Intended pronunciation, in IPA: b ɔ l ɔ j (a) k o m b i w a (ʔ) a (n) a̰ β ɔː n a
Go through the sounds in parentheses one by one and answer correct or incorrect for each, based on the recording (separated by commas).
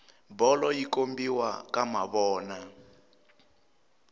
incorrect, incorrect, incorrect